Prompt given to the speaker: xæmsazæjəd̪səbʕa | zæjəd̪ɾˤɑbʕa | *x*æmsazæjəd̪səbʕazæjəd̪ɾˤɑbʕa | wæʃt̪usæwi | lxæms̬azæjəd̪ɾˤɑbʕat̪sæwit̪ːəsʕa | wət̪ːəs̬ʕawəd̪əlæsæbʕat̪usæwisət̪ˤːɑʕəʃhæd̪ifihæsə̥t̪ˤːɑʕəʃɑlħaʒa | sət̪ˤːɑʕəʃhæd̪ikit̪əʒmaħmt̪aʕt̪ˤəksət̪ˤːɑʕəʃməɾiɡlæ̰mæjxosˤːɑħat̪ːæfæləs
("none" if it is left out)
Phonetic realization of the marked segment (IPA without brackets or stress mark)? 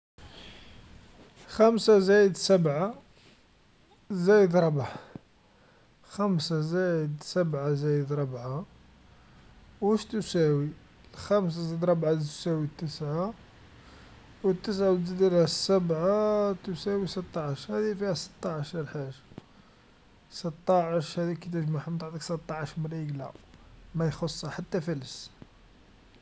x